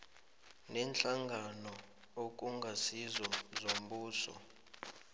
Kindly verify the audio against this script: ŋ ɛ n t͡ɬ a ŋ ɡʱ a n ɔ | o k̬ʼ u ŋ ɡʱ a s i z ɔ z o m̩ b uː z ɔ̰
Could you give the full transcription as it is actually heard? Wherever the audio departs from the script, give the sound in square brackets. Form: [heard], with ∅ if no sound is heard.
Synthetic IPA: [n] ɛ n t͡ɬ a ŋ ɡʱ a n ɔ | o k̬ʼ u ŋ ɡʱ a s i z ɔ z o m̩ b uː [s] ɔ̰